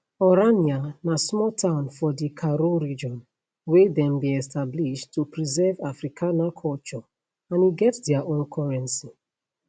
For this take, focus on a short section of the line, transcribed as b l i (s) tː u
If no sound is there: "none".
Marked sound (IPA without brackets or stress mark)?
ʃ